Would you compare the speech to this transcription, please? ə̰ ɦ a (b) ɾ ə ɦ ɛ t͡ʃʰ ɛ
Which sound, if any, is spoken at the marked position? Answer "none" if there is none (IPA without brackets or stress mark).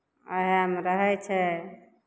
m